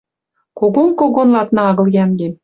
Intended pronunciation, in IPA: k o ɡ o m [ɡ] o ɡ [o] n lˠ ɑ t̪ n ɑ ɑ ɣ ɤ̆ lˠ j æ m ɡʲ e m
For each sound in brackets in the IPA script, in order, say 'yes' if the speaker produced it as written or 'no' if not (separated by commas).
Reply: no, yes